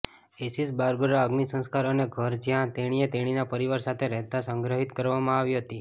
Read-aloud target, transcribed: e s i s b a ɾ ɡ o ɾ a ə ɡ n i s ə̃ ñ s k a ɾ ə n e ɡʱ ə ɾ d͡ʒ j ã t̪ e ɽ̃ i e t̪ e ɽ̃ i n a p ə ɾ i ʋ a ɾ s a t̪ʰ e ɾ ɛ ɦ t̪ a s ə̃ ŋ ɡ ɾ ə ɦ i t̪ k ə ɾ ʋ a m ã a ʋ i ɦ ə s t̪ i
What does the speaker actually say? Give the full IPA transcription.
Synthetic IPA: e s i s b a ɾ ɡ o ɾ a ə ɡ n i s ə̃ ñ s k a ɾ ə n e ɡʱ ə ɾ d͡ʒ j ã t̪ e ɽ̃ i e t̪ e ɽ̃ i n a p ə ɾ i ʋ a ɾ s a t̪ʰ e ɾ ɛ ɦ t̪ a s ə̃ ŋ ɡ ɾ ə ɦ i t̪ k ə ɾ ʋ a m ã a ʋ i ɦ ə t̪ i